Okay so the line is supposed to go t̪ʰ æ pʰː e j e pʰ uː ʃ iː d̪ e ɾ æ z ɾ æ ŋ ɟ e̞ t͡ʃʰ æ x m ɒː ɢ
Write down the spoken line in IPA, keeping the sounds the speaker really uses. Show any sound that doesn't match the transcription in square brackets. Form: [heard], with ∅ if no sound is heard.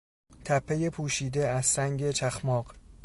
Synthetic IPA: t̪ʰ æ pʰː e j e pʰ uː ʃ iː d̪ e [∅] æ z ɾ æ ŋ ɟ e̞ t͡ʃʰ æ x m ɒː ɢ